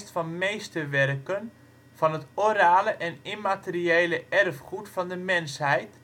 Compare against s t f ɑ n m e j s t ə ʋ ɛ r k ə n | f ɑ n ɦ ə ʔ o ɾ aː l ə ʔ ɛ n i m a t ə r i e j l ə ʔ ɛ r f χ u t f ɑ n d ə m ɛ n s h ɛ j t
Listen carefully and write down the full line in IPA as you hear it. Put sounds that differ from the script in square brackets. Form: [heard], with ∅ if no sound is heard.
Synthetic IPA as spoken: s t f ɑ n m e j s t ə ʋ ɛ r k ə n | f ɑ n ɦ ə [t] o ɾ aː l ə ʔ ɛ n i m a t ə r i e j l ə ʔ ɛ r f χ u t f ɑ n d ə m ɛ n s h ɛ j t